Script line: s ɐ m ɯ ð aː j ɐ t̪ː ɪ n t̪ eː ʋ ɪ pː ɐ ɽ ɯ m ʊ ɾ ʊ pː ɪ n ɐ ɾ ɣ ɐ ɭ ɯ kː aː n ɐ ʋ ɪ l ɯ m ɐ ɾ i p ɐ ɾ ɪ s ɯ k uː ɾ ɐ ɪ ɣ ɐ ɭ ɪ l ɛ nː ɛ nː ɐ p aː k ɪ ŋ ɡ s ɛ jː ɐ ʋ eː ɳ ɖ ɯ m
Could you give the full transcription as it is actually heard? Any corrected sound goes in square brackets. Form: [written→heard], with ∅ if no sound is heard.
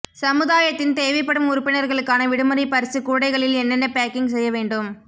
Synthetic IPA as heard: s ɐ m ɯ ð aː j ɐ t̪ː ɪ n t̪ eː ʋ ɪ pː ɐ ɽ ɯ m ʊ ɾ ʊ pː ɪ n ɐ ɾ ɣ ɐ ɭ ɯ kː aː n ɐ ʋ ɪ [l→ɽ] ɯ m ɐ ɾ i p ɐ ɾ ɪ s ɯ k uː [ɾ→ɽ] ɐ ɪ ɣ ɐ ɭ ɪ l ɛ nː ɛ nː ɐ p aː k ɪ ŋ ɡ s ɛ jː ɐ ʋ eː ɳ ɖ ɯ m